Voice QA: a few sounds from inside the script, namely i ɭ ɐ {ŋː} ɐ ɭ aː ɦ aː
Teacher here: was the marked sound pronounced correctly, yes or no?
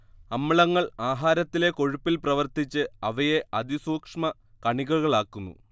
yes